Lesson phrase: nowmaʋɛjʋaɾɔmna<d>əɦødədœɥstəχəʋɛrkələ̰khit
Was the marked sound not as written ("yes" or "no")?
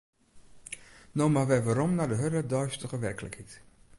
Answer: no